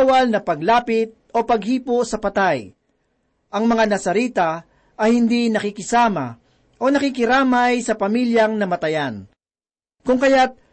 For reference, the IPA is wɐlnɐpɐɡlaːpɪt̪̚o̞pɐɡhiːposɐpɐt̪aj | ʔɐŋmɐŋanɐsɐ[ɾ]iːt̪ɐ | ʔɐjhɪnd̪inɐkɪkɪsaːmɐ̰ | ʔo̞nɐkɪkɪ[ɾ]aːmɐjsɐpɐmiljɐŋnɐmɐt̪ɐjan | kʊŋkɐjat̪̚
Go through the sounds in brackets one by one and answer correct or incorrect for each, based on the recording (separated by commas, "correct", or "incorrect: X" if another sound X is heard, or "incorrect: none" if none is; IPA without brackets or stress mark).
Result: correct, correct